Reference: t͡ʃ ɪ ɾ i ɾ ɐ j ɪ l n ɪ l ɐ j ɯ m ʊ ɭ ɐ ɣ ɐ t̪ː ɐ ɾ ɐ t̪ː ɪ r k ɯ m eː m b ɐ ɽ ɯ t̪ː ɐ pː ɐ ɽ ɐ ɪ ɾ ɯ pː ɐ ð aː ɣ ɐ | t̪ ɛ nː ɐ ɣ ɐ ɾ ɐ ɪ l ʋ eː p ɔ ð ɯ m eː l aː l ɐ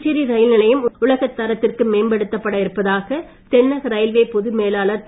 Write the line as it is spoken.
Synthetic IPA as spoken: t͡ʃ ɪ ɾ i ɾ ɐ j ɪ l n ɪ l ɐ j ɯ m ʊ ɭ ɐ ɣ ɐ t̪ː ɐ ɾ ɐ t̪ː ɪ r k ɯ m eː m b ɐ ɽ ɯ t̪ː ɐ pː ɐ ɽ ɐ ɪ ɾ ɯ pː ɐ ð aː ɣ ɐ | t̪ ɛ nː ɐ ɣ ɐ ɾ ɐ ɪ l ʋ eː p ɔ ð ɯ m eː l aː l ɐ

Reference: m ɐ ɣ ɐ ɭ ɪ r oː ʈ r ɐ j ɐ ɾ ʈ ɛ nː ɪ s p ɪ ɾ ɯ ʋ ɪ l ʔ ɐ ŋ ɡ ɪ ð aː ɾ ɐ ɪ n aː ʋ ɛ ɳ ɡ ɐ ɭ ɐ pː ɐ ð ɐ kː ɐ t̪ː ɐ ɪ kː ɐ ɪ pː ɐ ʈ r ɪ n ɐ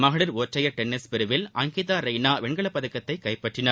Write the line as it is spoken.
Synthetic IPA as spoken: m ɐ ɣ ɐ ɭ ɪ ɾ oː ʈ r ɐ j ɐ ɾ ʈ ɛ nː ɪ s p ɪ ɾ ɯ ʋ ɪ l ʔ ɐ ŋ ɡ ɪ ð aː ɾ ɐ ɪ n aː ʋ ɛ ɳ ɡ ɐ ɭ ɐ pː ɐ ð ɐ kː ɐ t̪ː ɐ ɪ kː ɐ ɪ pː ɐ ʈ r ɪ n ɐ

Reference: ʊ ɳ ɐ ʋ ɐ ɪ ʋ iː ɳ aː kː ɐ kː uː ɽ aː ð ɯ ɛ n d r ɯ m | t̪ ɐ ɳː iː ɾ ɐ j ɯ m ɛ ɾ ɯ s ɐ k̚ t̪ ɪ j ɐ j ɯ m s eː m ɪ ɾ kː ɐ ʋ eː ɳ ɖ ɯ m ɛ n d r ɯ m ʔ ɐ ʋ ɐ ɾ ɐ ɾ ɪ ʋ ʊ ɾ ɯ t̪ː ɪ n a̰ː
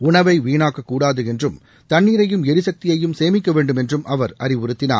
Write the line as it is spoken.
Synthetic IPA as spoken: ʊ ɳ ɐ ʋ ɐ ɪ ʋ iː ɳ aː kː ɐ kː uː ɽ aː ð ɯ ɛ n d r ɯ m | t̪ ɐ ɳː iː ɾ ɐ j ɯ m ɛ ɾ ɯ s ɐ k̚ t̪ ɪ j ɐ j ɯ m s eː m ɪ kː ɐ ʋ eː ɳ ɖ ɯ m ɛ n d r ɯ m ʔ ɐ ʋ ɐ ɾ ɐ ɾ ɪ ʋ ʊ ɾ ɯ t̪ː ɪ n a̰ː

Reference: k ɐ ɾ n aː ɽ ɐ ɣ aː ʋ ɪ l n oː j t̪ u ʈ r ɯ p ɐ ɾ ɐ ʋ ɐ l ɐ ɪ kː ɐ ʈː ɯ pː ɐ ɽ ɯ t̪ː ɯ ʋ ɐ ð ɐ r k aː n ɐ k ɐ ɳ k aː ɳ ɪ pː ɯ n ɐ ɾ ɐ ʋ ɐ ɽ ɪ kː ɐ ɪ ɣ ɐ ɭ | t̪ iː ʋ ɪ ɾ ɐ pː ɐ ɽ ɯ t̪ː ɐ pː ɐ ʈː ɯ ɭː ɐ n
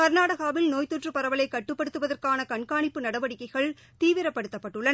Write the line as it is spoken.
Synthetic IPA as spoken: k ɐ ɾ n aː ɽ ɐ ɣ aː ʋ ɪ l n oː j t̪ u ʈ r ɯ p ɐ ɾ ɐ ʋ ɐ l ɐ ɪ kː ɐ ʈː ɯ pː ɐ ɽ ɯ t̪ː ɯ ʋ ɐ ð ɐ r k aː n ɐ k ɐ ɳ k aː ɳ ɪ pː ɯ n ɐ ɽ ɐ ʋ ɐ ɽ ɪ kː ɐ ɪ ɣ ɐ ɭ | t̪ iː ʋ ɪ ɾ ɐ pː ɐ ɽ ɯ t̪ː ɐ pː ɐ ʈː ɯ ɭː ɐ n

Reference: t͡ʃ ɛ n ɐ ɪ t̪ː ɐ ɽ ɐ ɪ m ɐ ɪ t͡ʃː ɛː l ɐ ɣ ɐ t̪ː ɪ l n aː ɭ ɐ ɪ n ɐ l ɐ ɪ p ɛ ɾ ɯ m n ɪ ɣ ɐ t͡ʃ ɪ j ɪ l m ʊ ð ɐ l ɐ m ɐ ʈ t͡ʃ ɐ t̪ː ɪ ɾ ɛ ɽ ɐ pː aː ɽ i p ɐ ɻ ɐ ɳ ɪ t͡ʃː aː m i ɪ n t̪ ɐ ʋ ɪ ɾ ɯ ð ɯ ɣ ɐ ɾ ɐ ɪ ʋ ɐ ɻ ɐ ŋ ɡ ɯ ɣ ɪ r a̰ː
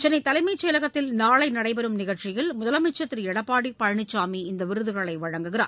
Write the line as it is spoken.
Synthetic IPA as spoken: t͡ʃ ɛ n ɐ ɪ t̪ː ɐ l ɐ ɪ m ɐ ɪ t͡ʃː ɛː l ɐ ɣ ɐ t̪ː ɪ l n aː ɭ ɐ ɪ n ɐ ɽ ɐ ɪ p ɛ ɾ ɯ m n ɪ ɣ ɐ t͡ʃ ɪ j ɪ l m ʊ ð ɐ l ɐ m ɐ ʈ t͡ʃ ɐ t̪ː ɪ ɾ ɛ ɽ ɐ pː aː ɽ i p ɐ ɻ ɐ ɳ ɪ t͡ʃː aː m i ɪ n d̪ ɐ ʋ ɪ ɾ ɯ ð ɯ ɣ ɐ ɭ ɐ ɪ ʋ ɐ ɻ ɐ ŋ ɡ ɯ ɣ ɪ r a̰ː

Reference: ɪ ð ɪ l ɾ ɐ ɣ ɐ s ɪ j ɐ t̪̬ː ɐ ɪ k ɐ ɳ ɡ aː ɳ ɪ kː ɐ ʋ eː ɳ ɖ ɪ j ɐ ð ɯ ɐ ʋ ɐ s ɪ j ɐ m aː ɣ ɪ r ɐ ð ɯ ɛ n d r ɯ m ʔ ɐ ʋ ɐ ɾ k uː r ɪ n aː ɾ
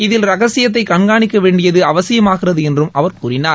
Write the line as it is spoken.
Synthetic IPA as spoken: ɪ ð ɪ l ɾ ɐ ɣ ɐ s ɪ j ɐ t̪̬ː ɐ ɪ k ɐ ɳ ɡ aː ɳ ɪ kː ɐ ʋ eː ɳ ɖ ɪ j ɐ ð ɯ ɐ ʋ ɐ s ɪ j ɐ m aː ɣ ɪ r ɐ ð ɯ ɛ n d r ɯ m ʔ ɐ ʋ ɐ ɾ k uː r ɪ n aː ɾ

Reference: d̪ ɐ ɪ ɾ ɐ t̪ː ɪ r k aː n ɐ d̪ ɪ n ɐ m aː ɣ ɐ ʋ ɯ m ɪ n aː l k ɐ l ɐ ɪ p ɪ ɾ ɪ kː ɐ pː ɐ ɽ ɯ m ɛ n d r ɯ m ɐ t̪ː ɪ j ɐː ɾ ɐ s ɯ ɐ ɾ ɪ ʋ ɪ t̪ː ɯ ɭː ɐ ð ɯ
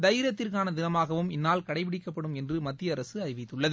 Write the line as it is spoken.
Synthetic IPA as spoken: d̪ ɐ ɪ ɾ ɐ t̪ː ɪ r k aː n ɐ d̪ ɪ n ɐ m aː ɣ ɐ ʋ ɯ m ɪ nː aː l k ɐ ɽ ɐ ɪ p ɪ ɽ ɪ kː ɐ pː ɐ ɽ ɯ m ɛ n d r ɯ m ɐ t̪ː ɪ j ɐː ɾ ɐ s ɯ ɐ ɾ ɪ ʋ ɪ t̪ː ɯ ɭː ɐ ð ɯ

